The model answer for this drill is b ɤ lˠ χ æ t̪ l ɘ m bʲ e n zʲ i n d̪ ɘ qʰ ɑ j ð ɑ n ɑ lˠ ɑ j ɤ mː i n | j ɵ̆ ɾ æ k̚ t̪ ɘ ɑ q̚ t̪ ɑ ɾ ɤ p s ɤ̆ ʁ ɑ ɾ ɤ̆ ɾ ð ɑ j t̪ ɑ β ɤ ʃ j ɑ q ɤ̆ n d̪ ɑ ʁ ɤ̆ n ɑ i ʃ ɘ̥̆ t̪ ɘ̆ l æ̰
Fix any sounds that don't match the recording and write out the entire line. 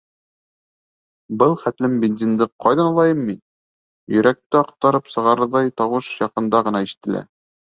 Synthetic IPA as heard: b ɤ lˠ χ æ t̪ l ɘ m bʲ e n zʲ i n d̪ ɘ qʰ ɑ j ð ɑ n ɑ lˠ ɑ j ɤ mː i n | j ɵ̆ ɾ æ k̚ t̪ ɘ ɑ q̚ t̪ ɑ ɾ ɤ p s ɤ̆ ʁ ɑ ɾ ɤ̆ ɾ ð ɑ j t̪ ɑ w ɤ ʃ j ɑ q ɤ̆ n d̪ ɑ ʁ ɤ̆ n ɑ i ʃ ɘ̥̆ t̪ ɘ̆ l æ̰